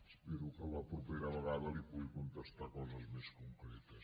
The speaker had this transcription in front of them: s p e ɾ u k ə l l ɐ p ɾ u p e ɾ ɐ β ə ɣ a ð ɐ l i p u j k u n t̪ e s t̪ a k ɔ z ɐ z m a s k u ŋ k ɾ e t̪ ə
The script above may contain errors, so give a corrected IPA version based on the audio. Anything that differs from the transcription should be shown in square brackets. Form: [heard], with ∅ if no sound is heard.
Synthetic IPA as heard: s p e ɾ u k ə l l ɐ p ɾ u p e ɾ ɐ β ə ɣ a ð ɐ l i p u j k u n t̪ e s t̪ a k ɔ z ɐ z m [e] s k u ŋ k ɾ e t̪ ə